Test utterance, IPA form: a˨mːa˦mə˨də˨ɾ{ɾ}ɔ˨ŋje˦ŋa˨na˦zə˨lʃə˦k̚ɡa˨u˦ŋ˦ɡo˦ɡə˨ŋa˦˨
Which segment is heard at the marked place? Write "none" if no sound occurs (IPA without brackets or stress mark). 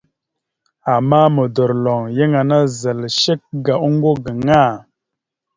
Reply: l